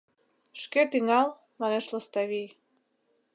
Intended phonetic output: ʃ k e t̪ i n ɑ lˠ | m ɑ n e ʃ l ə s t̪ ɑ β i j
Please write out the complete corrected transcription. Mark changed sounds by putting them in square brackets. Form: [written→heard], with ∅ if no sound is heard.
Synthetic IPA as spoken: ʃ k e t̪ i [n→ŋ] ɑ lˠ | m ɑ n e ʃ l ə s t̪ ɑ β i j